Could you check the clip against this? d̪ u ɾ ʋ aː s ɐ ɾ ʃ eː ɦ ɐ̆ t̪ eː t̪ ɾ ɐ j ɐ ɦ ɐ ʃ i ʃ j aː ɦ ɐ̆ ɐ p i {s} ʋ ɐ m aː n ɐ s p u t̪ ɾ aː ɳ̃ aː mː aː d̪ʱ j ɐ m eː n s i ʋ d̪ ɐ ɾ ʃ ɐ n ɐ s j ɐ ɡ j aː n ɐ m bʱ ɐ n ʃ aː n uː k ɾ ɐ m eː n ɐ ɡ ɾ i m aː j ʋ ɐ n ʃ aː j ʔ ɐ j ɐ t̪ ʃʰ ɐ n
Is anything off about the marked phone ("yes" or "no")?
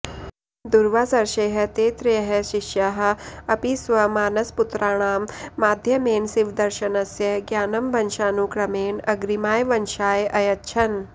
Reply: no